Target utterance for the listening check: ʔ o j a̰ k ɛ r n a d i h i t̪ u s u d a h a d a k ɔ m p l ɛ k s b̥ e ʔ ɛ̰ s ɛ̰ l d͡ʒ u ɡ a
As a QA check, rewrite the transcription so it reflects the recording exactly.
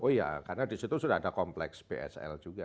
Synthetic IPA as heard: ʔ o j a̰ k a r n a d i s i t̪ u s u d a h a d a k ɔ m p l ɛ k s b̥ e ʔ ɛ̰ s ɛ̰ l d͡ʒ u ɡ a